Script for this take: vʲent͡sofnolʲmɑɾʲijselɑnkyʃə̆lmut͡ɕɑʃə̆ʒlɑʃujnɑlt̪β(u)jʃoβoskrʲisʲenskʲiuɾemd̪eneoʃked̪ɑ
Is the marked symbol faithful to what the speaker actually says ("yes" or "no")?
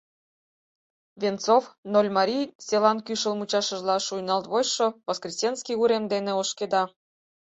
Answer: no